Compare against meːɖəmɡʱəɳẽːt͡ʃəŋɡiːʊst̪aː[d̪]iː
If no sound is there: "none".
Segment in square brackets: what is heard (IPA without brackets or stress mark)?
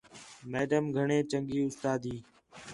d̪